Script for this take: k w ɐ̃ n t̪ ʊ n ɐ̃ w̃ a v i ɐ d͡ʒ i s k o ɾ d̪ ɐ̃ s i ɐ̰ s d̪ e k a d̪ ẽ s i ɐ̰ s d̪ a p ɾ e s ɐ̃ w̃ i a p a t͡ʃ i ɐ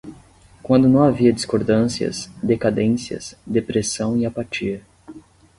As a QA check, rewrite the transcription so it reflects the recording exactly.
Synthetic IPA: k w ɐ̃ n d̪ ʊ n ɐ̃ w̃ a v i ɐ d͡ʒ i s k o ɾ d̪ ɐ̃ s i ɐ̰ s d̪ e k a d̪ ẽ s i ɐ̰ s d̪ e p ɾ e s ɐ̃ w̃ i a p a t͡ʃ i ɐ